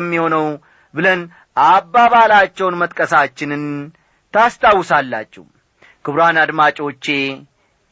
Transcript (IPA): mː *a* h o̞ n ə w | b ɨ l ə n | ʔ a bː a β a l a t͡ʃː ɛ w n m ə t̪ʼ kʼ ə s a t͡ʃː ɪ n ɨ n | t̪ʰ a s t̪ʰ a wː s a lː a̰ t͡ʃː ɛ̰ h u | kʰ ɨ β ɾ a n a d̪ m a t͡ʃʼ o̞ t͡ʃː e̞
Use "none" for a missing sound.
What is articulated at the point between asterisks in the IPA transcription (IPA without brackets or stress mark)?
i